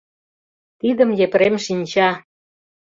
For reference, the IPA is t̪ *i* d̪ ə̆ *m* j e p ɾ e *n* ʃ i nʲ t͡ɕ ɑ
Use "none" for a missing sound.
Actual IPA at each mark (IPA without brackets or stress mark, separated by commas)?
i, m, m